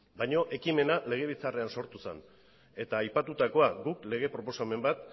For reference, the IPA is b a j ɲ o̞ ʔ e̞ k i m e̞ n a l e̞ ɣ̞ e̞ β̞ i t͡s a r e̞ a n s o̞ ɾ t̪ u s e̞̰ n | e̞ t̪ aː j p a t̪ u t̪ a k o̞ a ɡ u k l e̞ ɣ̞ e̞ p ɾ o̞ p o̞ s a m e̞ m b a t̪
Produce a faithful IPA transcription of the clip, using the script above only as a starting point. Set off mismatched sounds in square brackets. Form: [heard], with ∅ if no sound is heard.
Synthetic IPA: b a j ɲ o̞ ʔ e̞ k i m e̞ n a l e̞ ɣ̞ e̞ β̞ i t͡s a r e̞ a n s o̞ ɾ t̪ u s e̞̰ n | e̞ t̪ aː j p a t̪ u t̪ a k o̞ a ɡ u k l e̞ ɣ̞ e̞ p ɾ o̞ p o̞ s a m e̞ m b a t̪